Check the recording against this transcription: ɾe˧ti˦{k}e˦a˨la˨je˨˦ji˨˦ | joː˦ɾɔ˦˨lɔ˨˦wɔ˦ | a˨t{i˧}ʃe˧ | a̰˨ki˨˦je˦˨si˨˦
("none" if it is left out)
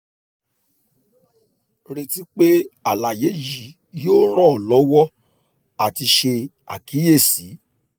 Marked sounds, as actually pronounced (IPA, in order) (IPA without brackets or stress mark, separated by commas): k͡p, i˧